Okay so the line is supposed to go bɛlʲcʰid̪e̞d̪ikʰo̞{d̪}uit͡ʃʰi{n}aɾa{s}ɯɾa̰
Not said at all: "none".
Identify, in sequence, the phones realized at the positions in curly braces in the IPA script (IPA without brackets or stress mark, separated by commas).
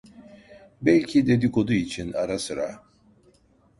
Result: d̪, n, s